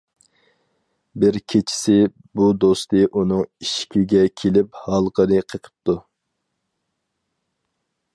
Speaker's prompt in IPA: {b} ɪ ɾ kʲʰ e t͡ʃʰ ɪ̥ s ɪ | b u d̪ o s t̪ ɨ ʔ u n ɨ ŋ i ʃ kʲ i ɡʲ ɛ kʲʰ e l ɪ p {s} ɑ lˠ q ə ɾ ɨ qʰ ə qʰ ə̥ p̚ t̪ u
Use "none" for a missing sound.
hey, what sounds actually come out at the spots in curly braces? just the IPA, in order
b, h

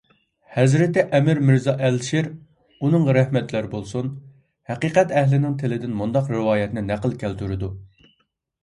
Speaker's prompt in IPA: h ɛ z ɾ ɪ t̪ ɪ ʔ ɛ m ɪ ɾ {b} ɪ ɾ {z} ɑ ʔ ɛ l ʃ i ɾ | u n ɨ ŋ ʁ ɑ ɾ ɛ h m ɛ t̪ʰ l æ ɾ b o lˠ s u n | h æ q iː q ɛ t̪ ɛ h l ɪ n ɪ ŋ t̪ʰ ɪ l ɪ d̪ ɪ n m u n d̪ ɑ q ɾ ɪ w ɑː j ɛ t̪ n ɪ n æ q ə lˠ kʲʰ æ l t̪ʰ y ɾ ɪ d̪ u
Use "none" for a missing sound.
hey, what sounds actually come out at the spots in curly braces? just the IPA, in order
m, z

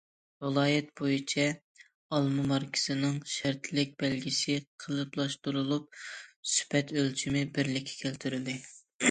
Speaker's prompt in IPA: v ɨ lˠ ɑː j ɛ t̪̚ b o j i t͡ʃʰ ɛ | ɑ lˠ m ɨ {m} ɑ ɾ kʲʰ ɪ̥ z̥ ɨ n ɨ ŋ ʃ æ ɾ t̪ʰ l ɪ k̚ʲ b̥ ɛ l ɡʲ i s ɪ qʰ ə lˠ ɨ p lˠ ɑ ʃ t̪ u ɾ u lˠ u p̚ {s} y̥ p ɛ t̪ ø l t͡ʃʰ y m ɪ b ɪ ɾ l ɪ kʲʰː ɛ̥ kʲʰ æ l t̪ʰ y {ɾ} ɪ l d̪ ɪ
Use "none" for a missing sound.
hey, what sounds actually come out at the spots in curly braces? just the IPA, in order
m, s, ɾ

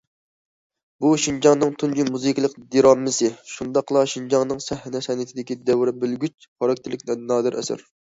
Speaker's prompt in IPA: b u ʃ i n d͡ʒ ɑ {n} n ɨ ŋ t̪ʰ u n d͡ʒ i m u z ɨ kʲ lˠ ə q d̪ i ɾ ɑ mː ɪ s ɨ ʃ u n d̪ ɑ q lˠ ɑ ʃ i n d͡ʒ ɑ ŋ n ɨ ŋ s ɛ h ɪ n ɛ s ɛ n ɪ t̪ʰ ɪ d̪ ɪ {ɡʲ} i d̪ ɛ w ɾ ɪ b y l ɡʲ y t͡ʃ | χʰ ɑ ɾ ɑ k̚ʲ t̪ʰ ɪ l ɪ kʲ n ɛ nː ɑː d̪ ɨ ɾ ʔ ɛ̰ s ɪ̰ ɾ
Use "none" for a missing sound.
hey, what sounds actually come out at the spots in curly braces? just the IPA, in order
ŋ, kʲ

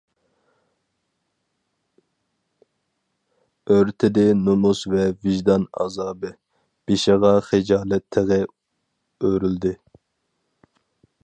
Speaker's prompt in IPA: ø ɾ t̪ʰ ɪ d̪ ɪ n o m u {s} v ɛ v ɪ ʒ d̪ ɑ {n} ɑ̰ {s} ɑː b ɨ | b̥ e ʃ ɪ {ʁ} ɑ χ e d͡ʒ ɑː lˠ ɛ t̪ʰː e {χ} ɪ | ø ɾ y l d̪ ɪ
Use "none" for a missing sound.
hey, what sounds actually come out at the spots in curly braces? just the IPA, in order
s, n, z, ʁ, ʁ

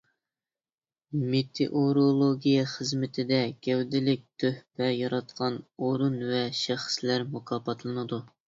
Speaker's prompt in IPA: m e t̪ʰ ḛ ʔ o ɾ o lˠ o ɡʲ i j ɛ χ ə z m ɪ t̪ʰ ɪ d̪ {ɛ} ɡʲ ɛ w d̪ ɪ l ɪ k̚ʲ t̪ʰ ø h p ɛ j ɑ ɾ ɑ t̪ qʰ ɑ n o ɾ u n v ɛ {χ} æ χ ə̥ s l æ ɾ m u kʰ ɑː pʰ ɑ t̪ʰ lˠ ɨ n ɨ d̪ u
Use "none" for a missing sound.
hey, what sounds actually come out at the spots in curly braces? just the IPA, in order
ɛ, ʃ

